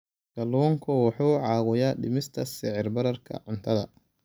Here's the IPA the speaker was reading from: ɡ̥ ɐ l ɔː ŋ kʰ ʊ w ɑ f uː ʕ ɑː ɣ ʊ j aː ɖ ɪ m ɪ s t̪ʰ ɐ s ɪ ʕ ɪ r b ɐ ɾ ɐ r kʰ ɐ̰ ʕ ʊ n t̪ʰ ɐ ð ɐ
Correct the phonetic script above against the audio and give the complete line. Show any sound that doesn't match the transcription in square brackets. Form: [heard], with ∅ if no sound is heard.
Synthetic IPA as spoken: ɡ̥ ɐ l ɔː ŋ kʰ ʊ w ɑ [ħ] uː ʕ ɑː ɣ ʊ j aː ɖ ɪ m ɪ s t̪ʰ ɐ s ɪ ʕ ɪ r b ɐ ɾ ɐ r kʰ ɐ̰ ʕ ʊ n t̪ʰ ɐ ð ɐ